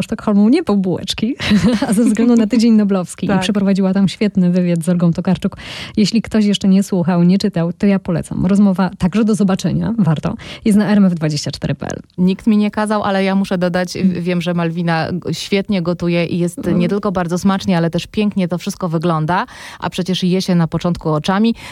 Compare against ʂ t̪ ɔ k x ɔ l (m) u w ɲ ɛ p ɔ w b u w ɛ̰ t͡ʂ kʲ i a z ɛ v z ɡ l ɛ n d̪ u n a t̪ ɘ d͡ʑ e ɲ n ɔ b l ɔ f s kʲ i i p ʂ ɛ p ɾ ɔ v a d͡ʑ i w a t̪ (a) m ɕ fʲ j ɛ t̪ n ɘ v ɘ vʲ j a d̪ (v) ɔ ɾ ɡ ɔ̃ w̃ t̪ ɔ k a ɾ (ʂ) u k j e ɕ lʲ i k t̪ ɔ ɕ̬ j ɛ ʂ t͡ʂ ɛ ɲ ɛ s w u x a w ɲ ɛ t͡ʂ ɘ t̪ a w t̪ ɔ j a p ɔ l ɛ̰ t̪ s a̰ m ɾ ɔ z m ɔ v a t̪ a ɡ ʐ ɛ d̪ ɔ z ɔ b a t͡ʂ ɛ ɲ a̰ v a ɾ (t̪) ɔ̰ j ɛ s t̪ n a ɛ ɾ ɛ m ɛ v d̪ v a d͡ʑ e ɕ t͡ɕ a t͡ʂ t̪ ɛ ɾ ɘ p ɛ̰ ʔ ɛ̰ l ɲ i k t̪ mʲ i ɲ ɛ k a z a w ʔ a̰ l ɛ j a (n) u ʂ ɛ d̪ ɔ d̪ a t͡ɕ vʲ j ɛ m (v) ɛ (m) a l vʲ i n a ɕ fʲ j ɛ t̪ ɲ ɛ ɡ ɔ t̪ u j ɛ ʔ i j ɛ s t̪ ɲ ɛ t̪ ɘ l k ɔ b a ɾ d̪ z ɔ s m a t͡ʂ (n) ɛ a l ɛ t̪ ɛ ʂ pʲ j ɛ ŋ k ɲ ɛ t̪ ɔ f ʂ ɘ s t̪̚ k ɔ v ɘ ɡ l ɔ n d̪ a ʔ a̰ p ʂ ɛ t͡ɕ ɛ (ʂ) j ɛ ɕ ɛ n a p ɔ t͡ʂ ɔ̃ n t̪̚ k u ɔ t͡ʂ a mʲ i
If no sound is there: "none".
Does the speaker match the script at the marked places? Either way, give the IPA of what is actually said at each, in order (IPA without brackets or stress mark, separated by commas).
m, a, z, t͡ʂ, t̪, m, ʐ, m, ɲ, ʂ